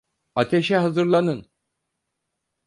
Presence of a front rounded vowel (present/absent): absent